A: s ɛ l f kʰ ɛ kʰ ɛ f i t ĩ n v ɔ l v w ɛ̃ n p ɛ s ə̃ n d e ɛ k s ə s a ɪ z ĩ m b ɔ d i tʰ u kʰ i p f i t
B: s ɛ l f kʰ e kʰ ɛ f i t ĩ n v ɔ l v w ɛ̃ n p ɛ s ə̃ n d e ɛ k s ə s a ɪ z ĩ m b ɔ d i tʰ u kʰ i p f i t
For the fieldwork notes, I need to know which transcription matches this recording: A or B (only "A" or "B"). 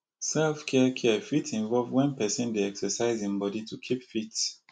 A